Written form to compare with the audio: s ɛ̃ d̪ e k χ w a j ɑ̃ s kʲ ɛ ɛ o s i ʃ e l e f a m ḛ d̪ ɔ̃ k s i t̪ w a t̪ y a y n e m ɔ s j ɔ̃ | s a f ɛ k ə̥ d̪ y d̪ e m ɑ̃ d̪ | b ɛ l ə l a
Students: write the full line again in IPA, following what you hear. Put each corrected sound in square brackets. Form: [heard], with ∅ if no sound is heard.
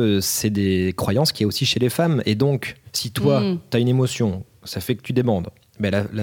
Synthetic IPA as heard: s [ɛ] d̪ e k χ w a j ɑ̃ s kʲ [i] ɛ o s i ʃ e l e f a m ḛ d̪ ɔ̃ k s i t̪ w a t̪ y a y n e m ɔ s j ɔ̃ | s a f ɛ k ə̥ [t̪] y d̪ e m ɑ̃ d̪ | b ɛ l [a] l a